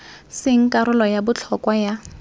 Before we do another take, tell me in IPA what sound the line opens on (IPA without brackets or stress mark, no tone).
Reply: s